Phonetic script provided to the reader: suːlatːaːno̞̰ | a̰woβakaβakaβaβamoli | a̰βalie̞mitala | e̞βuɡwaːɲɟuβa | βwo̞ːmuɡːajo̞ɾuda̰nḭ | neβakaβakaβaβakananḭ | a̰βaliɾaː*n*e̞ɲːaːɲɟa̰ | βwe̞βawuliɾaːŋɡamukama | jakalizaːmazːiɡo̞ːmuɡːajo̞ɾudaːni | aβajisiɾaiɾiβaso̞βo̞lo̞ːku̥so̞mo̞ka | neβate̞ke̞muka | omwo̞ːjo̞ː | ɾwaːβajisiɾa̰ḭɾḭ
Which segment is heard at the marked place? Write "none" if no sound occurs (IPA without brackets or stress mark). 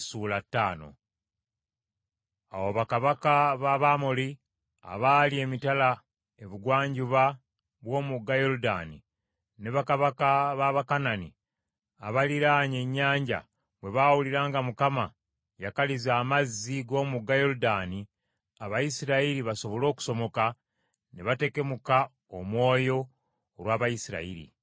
ɲ